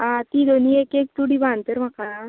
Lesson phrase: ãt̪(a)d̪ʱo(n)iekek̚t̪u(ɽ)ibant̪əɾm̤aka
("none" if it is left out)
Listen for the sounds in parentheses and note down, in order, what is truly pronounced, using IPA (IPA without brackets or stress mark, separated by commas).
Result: i, n, ɽ